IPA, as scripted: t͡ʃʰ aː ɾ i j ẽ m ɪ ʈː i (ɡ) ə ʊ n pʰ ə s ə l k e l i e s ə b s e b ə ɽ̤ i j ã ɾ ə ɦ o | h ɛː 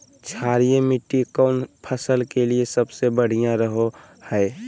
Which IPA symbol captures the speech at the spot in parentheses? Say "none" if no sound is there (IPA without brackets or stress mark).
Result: k